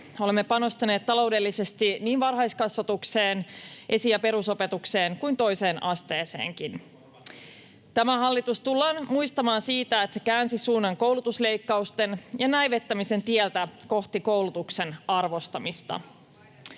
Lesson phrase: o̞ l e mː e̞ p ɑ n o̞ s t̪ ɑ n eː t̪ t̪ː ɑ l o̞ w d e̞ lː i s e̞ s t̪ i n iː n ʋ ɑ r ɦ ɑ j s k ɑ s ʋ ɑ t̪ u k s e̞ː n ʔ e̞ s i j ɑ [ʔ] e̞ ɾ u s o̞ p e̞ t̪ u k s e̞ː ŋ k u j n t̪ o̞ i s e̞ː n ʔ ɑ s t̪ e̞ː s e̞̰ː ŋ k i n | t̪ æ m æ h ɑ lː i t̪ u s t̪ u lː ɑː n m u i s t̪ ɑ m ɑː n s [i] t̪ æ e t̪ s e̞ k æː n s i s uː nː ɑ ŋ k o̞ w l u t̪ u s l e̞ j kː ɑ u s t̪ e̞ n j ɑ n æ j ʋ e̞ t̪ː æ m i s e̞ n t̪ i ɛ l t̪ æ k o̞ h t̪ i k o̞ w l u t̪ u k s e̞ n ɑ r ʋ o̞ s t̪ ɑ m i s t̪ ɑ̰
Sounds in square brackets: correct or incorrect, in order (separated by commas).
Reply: incorrect, incorrect